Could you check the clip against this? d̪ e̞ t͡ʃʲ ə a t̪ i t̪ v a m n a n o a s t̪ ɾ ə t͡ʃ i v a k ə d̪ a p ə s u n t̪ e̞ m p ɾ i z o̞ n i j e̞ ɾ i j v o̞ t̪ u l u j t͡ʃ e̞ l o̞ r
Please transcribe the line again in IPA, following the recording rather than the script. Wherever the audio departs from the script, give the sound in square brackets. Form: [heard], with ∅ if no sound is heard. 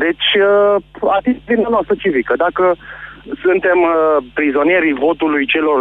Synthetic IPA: d̪ e̞ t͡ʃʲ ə a t̪ i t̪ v [i] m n a n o a s t̪ ɾ ə t͡ʃ i v [i] k ə d̪ a [k] ə s u n t̪ e̞ m p ɾ i z o̞ n i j e̞ ɾ i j v o̞ t̪ u l u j t͡ʃ e̞ l o̞ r